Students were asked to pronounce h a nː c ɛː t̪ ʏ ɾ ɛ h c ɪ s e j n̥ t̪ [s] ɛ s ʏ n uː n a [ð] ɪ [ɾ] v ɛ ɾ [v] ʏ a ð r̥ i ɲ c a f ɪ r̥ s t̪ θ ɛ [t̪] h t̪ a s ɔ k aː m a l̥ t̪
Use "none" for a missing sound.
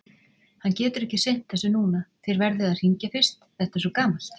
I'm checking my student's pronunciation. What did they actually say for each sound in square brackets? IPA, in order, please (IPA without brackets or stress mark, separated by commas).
θ, θ, ɾ, ð, none